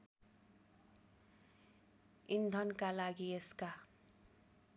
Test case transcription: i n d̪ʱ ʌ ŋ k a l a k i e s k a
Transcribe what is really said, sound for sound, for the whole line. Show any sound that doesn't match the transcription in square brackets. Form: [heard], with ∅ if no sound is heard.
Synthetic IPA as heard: i n d̪ʱ ʌ [n] k a l a [ɡ] i e s k a